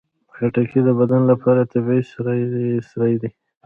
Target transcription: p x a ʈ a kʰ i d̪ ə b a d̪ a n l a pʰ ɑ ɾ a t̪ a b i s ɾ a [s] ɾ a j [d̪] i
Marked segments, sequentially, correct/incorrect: correct, correct

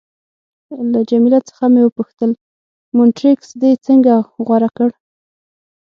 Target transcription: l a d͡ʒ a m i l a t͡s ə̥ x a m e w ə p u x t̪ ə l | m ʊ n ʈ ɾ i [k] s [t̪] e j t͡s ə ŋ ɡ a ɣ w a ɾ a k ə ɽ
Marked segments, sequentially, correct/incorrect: correct, incorrect: d̪

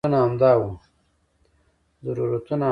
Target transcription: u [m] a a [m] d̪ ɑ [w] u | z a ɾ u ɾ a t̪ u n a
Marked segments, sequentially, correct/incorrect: incorrect: n, correct, correct

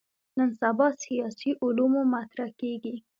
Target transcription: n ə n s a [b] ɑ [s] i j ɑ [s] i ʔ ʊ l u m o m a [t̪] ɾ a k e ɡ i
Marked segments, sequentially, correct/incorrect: correct, correct, correct, correct

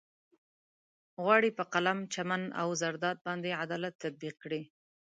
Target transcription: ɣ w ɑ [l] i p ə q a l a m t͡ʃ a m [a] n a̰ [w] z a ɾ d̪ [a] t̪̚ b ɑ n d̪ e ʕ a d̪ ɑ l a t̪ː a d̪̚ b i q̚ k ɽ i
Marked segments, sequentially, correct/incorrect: incorrect: ɽ, correct, correct, incorrect: ɑ

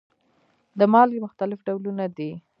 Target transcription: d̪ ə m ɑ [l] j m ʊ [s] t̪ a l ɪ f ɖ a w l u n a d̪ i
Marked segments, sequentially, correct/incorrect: correct, incorrect: x

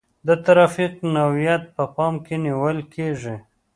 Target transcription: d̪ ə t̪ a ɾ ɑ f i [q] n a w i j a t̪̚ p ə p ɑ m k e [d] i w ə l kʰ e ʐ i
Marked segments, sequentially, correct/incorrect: correct, incorrect: n

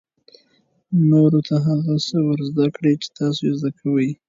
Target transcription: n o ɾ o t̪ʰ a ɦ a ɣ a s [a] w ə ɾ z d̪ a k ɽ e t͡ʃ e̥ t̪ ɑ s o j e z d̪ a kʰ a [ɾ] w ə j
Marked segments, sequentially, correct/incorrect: incorrect: ə, incorrect: none

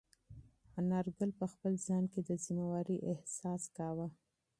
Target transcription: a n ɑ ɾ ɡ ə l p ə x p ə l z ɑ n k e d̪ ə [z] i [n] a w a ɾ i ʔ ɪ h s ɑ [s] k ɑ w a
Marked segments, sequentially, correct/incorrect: correct, incorrect: m, correct

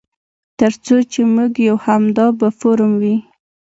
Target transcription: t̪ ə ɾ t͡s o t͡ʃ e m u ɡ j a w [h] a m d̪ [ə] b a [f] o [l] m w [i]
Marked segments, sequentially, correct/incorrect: correct, incorrect: ɑ, correct, incorrect: ɾ, correct

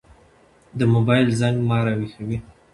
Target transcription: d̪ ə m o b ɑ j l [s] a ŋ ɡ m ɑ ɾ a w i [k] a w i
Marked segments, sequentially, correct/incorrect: incorrect: z, incorrect: x

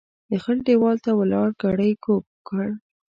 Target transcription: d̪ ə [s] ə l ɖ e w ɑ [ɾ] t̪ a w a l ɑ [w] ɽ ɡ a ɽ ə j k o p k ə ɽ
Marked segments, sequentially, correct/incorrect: incorrect: x, incorrect: l, incorrect: none

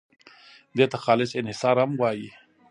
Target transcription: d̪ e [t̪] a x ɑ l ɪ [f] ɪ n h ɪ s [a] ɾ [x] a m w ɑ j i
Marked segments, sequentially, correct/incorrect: correct, incorrect: s, incorrect: ɑ, incorrect: h

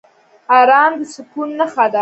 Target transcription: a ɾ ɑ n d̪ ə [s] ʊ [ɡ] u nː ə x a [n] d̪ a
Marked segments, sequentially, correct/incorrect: correct, incorrect: k, incorrect: none

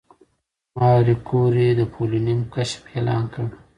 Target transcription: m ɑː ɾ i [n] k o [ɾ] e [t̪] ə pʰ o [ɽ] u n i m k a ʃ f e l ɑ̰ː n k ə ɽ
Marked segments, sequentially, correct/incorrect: incorrect: none, correct, incorrect: d̪, incorrect: l

